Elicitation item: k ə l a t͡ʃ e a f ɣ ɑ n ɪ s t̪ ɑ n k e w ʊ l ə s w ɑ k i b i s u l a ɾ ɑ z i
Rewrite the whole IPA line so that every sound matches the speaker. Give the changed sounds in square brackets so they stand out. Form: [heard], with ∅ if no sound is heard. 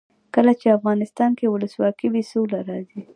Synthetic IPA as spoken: k ə l a t͡ʃ e a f ɣ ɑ n ɪ s t̪ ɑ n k e w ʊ l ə s w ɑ k i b i s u l a ɾ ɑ z i